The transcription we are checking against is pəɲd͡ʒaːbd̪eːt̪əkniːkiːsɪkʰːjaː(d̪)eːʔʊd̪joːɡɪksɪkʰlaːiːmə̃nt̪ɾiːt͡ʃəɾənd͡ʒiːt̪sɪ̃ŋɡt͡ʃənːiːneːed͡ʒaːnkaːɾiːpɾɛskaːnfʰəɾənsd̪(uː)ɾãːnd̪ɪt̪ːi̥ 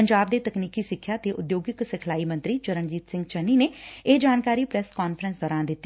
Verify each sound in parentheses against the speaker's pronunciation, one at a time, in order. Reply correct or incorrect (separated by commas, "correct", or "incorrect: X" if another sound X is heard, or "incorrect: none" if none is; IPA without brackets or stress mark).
incorrect: t̪, incorrect: ɔː